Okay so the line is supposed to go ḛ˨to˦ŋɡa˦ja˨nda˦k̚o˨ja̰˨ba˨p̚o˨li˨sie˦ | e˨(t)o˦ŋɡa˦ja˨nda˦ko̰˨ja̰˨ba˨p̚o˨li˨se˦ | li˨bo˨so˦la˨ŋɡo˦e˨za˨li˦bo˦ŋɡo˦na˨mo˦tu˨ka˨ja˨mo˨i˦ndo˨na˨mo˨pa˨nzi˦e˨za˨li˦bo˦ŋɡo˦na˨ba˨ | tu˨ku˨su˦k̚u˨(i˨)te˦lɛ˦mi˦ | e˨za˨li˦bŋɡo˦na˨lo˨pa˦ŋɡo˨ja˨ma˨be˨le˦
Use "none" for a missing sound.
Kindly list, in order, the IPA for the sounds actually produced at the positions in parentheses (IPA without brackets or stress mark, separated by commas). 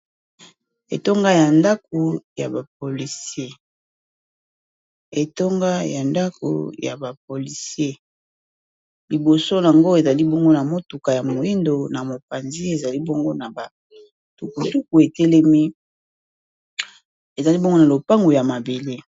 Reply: t, e˨